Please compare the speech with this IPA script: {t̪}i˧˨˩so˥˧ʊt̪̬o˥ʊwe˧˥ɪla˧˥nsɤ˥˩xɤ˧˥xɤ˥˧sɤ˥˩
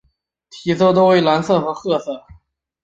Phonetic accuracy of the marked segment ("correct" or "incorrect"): incorrect